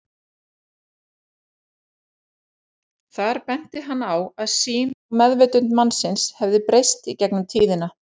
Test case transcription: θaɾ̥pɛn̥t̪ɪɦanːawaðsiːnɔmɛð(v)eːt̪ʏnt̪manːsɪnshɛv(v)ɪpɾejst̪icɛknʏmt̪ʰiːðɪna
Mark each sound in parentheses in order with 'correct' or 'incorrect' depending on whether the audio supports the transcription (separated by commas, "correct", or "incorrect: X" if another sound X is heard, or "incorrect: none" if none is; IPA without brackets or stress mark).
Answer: correct, incorrect: ð